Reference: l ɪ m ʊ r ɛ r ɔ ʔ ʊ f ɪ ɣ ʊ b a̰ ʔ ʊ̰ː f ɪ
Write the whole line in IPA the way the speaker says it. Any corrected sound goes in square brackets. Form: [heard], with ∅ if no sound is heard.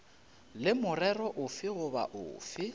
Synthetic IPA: l ɪ m ʊ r ɛ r ɔ ʔ ʊ f ɪ ɣ ʊ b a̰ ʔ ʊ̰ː f ɪ